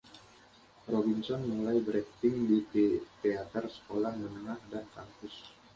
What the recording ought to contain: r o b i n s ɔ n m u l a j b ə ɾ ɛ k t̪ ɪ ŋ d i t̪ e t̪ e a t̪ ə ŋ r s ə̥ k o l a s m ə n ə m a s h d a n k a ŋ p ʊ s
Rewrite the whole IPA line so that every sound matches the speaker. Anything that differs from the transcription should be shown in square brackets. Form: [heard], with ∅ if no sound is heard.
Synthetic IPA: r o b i n s ɔ n m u l a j b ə ɾ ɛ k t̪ ɪ ŋ d i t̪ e t̪ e a t̪ ə [∅] r s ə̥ k o l a [h] m ə n ə [ŋ] a [∅] h d a n k a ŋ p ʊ s